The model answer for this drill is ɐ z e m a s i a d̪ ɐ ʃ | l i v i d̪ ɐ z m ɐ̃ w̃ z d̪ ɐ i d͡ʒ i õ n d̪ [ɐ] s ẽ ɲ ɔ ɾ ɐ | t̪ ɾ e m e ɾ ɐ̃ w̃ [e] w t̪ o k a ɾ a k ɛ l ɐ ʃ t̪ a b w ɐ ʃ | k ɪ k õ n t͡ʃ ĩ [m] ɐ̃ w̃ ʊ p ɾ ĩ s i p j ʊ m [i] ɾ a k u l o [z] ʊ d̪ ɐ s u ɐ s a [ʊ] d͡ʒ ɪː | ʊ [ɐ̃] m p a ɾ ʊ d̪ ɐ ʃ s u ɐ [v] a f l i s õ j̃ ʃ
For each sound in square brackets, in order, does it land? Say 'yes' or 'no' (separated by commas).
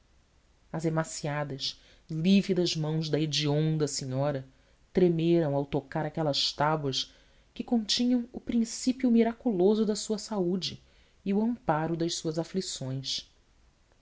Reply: yes, no, no, yes, yes, no, yes, no